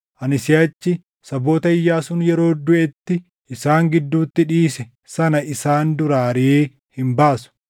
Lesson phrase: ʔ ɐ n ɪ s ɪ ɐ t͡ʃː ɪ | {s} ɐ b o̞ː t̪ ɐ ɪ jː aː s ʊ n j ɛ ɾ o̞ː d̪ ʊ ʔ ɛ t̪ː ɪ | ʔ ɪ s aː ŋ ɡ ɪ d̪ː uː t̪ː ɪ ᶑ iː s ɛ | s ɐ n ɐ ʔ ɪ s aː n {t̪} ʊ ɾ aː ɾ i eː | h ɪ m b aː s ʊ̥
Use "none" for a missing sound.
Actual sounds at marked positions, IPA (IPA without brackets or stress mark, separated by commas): s, d̪